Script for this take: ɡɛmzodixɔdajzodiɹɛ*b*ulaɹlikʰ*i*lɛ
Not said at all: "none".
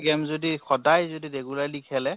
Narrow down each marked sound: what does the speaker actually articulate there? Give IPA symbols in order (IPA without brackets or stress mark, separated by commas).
ɡ, ɛ